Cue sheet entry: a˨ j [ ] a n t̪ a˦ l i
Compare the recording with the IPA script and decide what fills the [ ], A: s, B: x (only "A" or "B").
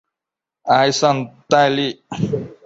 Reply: A